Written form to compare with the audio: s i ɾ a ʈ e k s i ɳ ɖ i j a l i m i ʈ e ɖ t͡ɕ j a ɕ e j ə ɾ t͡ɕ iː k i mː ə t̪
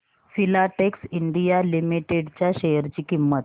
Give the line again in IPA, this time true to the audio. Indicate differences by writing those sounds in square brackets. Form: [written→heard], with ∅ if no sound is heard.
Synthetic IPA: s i [ɾ→l] a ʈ e k s i ɳ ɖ i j a l i m i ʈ e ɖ t͡ɕ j a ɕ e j ə ɾ t͡ɕ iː k i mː ə t̪